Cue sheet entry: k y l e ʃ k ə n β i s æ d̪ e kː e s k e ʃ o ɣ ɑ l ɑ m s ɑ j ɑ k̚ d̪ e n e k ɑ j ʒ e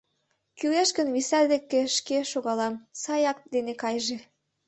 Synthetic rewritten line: k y l e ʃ k ə n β i s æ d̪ e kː e ʃ k e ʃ o ɣ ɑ l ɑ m s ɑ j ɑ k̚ d̪ e n e k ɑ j ʒ e